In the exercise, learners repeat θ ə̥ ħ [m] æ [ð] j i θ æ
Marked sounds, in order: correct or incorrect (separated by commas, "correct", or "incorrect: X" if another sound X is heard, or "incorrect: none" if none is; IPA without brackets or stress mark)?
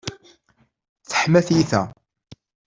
correct, incorrect: θ